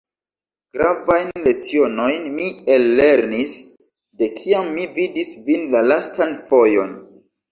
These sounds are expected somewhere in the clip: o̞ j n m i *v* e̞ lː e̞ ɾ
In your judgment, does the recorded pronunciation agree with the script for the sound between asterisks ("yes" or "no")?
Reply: no